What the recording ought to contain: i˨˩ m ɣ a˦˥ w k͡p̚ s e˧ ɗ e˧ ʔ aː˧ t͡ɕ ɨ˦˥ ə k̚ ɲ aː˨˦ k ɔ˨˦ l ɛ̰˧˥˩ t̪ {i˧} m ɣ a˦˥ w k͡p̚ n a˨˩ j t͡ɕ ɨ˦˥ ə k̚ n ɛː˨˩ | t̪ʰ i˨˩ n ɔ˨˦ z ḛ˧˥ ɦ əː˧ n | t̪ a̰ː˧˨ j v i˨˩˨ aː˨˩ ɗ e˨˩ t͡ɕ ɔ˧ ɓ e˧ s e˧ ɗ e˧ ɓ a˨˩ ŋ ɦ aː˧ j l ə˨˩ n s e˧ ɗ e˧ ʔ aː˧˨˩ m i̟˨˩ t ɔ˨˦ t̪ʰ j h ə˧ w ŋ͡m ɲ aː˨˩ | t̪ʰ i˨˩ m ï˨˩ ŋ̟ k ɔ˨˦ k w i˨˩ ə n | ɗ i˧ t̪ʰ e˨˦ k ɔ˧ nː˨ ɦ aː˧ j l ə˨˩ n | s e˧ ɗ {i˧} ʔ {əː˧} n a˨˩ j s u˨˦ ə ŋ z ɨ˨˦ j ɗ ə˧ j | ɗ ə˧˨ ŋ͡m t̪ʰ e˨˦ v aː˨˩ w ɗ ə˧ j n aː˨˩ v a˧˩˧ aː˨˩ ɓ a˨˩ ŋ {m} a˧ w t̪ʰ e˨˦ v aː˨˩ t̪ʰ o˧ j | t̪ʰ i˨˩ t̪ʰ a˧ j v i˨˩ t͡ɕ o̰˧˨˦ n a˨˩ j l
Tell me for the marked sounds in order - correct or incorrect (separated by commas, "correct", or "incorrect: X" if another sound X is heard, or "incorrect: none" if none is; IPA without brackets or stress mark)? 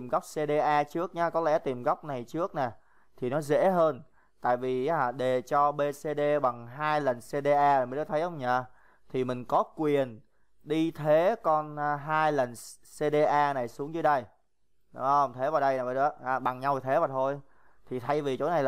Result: incorrect: i˨˩, incorrect: e˧, incorrect: aː˧, incorrect: ɲ